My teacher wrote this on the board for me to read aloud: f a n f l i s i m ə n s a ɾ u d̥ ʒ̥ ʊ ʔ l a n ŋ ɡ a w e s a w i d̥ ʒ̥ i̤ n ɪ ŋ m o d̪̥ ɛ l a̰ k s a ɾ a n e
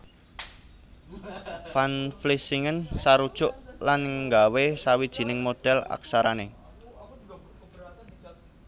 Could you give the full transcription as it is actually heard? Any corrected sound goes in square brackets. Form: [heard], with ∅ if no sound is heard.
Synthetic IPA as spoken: f a n f l i s i [ŋ] ə n s a ɾ u d̥ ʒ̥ ʊ ʔ l a n ŋ ɡ a w e s a w i d̥ ʒ̥ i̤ n ɪ ŋ m o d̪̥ ɛ l a̰ k s a ɾ a n e